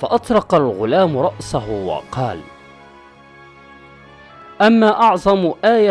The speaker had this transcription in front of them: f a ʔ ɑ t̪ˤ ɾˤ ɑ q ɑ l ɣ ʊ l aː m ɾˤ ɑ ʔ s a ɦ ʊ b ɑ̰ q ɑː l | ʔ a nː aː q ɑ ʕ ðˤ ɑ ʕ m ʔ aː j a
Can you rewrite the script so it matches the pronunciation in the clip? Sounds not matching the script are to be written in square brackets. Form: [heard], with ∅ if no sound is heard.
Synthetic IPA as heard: f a ʔ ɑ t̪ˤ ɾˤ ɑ q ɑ l ɣ ʊ l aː m ɾˤ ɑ ʔ s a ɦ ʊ [w] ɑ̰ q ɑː l | ʔ a [mː] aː [ʔ] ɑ ʕ ðˤ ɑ [∅] m ʔ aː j a